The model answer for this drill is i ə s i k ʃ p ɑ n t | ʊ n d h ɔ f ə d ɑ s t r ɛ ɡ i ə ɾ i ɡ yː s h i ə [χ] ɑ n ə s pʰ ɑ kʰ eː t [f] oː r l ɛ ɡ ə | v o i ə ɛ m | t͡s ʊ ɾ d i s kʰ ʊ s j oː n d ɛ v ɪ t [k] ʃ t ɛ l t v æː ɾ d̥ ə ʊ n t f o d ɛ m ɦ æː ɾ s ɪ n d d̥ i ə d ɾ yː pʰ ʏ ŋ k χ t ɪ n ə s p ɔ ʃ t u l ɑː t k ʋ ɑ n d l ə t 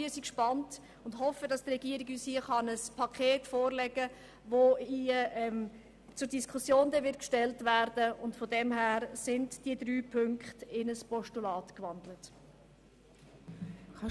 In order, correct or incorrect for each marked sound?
correct, correct, correct

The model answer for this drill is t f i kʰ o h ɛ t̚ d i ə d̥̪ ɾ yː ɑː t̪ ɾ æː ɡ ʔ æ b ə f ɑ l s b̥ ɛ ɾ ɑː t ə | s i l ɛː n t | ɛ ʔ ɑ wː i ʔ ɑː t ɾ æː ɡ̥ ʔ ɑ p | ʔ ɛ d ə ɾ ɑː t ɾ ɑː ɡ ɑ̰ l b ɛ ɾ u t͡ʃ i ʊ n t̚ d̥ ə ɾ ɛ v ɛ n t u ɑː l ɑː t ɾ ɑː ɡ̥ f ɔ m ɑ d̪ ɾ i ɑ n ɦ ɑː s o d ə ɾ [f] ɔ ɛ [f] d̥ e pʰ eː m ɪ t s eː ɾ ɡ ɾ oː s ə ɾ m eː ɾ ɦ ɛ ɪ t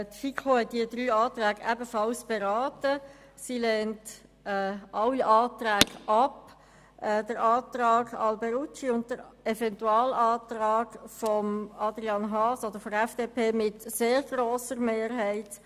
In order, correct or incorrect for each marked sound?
correct, correct

